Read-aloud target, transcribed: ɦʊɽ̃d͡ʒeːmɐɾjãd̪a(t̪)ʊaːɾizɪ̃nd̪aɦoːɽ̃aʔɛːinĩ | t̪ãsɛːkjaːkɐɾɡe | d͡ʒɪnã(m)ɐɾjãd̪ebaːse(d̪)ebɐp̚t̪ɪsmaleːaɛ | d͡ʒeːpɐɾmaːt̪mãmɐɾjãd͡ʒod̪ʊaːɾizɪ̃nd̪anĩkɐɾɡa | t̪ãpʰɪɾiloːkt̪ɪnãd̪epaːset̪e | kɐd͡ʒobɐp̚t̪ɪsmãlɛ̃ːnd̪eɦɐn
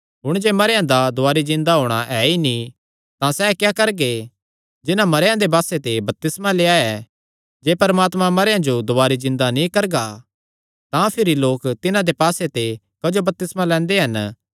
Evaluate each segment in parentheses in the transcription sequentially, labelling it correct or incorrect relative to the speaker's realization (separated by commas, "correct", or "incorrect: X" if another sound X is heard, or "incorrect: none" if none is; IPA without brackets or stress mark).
incorrect: d̪, correct, incorrect: t̪